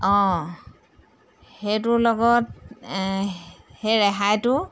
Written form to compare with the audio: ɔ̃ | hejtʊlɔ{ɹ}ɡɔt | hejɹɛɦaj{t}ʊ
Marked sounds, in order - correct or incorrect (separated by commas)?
incorrect, correct